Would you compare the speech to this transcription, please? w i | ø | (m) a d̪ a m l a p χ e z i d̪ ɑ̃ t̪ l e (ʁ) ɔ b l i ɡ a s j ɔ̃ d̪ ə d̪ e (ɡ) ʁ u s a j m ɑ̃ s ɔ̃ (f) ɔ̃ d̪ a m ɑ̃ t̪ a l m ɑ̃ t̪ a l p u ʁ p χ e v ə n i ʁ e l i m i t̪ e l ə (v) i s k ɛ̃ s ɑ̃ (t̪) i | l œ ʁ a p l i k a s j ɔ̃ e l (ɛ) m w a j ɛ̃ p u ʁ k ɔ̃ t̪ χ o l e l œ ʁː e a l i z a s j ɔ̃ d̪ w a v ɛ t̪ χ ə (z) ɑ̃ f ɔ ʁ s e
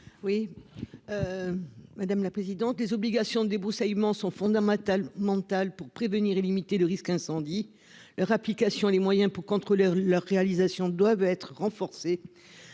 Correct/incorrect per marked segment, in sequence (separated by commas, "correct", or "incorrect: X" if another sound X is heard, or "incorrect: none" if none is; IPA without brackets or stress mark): correct, incorrect: z, incorrect: b, correct, incorrect: ʁ, incorrect: d̪, incorrect: e, incorrect: ʁ